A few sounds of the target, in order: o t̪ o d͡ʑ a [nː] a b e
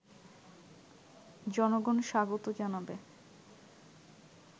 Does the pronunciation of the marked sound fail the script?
yes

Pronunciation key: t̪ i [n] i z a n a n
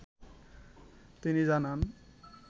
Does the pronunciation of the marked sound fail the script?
no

